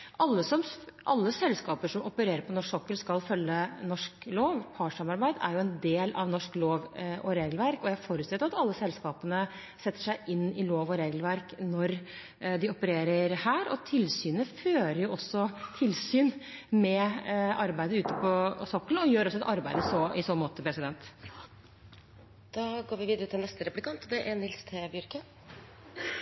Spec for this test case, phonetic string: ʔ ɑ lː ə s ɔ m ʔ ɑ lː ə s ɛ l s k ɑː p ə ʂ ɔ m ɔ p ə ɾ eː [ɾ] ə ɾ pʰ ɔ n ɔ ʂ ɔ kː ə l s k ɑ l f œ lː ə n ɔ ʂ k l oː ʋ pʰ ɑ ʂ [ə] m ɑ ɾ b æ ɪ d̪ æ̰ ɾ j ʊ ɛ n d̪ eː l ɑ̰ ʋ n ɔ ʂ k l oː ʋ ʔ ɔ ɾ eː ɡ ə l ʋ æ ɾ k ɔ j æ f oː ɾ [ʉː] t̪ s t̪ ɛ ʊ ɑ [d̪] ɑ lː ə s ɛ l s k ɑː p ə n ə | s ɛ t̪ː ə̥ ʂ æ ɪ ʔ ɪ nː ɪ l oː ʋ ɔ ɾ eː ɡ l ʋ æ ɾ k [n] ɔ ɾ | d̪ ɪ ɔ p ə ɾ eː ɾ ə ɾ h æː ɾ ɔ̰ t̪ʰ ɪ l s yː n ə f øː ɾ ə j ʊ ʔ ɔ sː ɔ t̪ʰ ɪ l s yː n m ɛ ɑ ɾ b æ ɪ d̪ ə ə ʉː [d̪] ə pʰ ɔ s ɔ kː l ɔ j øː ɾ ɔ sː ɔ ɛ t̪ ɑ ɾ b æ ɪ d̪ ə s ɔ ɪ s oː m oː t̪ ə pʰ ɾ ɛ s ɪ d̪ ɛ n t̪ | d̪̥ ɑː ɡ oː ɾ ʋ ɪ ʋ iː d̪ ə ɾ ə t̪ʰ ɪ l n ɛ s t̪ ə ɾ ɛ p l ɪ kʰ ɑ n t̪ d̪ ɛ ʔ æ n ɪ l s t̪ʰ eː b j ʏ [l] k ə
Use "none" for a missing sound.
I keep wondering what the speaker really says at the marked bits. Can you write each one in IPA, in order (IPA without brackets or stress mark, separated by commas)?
ɾ, ɑ, ʉ, t̪, n, t̪, ɾ